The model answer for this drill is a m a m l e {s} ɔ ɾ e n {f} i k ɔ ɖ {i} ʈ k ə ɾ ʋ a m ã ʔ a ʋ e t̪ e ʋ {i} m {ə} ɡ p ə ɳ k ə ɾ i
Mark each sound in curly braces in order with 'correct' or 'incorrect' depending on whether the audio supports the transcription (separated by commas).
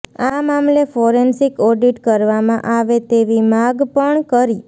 incorrect, incorrect, correct, correct, incorrect